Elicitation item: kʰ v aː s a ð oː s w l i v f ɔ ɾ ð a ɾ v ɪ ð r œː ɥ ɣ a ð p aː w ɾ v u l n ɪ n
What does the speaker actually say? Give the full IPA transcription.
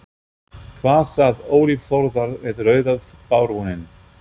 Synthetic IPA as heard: kʰ v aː s a ð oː w l i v f ɔ ɾ ð a ɾ v ɪ ð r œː ɥ ð a ð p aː w ɾ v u n ɪ n

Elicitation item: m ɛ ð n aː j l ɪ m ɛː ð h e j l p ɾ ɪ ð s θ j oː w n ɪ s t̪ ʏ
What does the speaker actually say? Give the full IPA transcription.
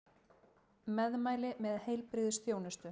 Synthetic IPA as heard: m ɛ ð m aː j l ɪ m ɛ ð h e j l p ɾ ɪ ð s θ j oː w n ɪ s t̪ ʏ

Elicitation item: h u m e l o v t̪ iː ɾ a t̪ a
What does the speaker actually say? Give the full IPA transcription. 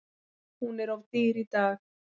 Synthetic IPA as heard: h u n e ɾ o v t̪ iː ɾ i t̪ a

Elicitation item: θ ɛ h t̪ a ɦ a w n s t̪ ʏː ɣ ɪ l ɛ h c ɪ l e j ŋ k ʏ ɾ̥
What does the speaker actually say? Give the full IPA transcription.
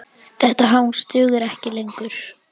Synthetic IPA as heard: θ ɛ h t̪ a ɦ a w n s t̪ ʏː ɣ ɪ ɾ ɛ h c ɪ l e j ŋ k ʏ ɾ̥

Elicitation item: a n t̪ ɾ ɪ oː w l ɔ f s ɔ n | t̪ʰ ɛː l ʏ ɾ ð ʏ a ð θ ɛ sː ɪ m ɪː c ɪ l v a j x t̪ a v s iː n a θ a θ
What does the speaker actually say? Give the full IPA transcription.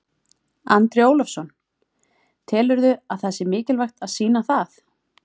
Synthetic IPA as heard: a n t̪ ɾ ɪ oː w l ɔ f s ɔ n | t̪ʰ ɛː l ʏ ɾ ð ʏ a ð θ ɛ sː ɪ m ɪː c ɪ l v a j x t̪ a ð s iː n a θ a θ

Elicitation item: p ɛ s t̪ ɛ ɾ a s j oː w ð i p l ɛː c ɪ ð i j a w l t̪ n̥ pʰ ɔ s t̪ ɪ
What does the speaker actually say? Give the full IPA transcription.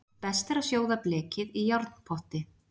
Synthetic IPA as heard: p ɛ s t̪ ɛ ɾ a s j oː w ð a p l ɛː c ɪ ð i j a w ɾ t̪ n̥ pʰ ɔ h t̪ ɪ

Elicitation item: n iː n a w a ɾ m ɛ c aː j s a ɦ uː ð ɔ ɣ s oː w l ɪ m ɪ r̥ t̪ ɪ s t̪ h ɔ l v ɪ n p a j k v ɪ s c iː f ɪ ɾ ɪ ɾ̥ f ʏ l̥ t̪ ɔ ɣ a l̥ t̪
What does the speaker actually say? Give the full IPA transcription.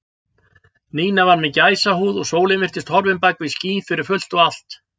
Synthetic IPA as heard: n iː n a v a ɾ m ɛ c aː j s a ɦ uː ð ɔ ɣ s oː w l ɪ m ɪ r̥ t̪ ɪ s t̪ h ɔ ɾ v ɪ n p a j k v ɪ s c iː f ɪ ɾ ɪ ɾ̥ f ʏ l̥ t̪ ɔ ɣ a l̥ t̪

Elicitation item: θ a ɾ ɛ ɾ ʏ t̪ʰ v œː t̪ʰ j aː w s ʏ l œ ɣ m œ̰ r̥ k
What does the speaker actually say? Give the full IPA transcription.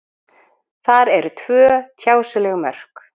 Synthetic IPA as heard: θ a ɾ ɛ ɾ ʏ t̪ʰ v œː t̪ʰ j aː w s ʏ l ɛ ɣ m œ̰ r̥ k

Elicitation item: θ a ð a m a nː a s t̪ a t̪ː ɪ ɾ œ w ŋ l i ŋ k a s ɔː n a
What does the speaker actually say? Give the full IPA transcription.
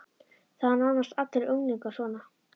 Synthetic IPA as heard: θ a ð a n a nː a s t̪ a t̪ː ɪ ɾ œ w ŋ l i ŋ k a s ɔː n a

